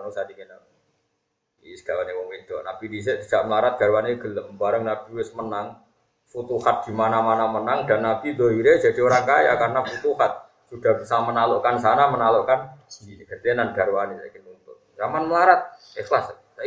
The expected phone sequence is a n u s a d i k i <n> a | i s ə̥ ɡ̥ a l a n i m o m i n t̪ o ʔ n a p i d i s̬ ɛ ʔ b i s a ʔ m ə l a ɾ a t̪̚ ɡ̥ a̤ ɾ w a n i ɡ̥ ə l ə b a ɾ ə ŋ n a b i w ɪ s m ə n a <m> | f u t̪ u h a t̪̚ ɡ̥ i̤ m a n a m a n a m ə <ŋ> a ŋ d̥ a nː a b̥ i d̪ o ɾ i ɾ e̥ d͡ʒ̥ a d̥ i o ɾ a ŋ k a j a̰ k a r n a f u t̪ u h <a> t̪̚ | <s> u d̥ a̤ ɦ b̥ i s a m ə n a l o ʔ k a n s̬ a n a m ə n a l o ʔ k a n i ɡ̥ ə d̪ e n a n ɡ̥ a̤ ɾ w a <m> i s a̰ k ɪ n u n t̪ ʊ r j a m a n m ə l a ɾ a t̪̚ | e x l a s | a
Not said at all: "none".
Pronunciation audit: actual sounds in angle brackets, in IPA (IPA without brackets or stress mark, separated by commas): n, ŋ, n, a, s, n